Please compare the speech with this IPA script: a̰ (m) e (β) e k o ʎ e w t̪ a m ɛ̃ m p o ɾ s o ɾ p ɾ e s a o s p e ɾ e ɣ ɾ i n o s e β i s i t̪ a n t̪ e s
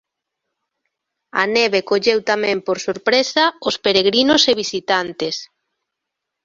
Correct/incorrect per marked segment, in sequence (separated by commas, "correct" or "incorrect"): incorrect, correct